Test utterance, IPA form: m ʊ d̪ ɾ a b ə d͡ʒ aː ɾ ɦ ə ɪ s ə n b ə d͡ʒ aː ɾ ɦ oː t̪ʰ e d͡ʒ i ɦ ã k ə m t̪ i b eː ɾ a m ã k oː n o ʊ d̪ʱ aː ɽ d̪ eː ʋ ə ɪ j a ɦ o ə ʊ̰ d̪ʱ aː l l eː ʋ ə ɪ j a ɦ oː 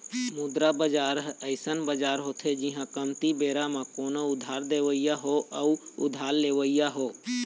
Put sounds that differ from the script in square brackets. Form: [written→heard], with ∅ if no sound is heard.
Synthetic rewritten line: m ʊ d̪ ɾ a b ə d͡ʒ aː ɾ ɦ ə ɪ s ə n b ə d͡ʒ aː ɾ ɦ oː t̪ʰ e d͡ʒ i ɦ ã k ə m t̪ i b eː ɾ a m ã k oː n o ʊ d̪ʱ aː [ɽ→ɾ] d̪ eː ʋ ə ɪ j a ɦ o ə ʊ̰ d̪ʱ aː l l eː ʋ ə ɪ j a ɦ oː